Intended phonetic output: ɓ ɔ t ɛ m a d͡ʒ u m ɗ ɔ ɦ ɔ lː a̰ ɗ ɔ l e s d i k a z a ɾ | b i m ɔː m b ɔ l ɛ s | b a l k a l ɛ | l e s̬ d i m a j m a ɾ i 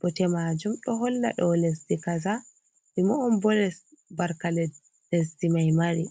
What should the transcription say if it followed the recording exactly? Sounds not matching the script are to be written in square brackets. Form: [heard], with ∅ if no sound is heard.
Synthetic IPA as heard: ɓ ɔ t ɛ m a d͡ʒ u m ɗ ɔ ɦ ɔ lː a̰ ɗ ɔ l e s d i k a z a [∅] | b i m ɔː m b ɔ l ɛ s | b a [ɾ] k a l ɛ | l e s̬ d i m a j m a ɾ i